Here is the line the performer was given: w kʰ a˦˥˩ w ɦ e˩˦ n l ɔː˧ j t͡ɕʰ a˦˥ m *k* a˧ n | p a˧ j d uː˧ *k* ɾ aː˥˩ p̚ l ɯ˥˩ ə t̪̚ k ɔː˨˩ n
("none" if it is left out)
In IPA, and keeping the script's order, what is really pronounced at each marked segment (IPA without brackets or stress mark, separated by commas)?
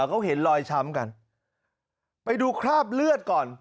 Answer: k, kʰ